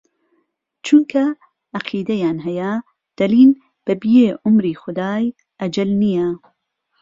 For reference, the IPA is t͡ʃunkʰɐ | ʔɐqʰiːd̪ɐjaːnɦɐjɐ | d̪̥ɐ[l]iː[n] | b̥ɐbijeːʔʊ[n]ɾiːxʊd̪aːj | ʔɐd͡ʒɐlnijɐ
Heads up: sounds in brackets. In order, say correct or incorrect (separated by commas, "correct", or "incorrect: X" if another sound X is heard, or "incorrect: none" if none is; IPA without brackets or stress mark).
correct, correct, incorrect: m